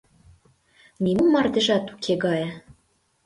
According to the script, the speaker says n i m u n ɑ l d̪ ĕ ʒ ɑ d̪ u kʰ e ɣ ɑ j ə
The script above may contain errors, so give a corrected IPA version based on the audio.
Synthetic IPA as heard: n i m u m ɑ r d̪ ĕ ʒ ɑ t̪ u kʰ e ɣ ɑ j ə